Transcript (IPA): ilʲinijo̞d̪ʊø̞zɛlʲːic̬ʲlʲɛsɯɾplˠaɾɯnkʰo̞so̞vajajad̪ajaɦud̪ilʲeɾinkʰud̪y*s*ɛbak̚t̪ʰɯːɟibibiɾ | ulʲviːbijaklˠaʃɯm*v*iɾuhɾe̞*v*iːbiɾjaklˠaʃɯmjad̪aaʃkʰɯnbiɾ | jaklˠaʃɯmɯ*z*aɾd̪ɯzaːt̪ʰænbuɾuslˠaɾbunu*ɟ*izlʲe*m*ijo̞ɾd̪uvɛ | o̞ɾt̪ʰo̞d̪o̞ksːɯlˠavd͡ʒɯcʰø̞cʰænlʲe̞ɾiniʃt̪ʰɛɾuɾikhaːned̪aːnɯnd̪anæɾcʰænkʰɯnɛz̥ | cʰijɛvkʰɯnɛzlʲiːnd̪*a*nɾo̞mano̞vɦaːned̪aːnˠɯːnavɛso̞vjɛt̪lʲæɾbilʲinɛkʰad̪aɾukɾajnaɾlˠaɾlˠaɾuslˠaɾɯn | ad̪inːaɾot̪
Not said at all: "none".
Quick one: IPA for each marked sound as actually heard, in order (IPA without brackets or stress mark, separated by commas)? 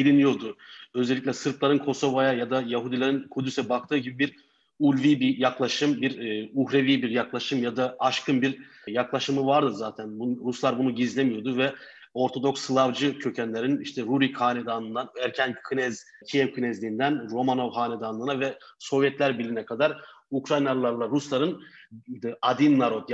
s, b, v, v, ɟ, m, æ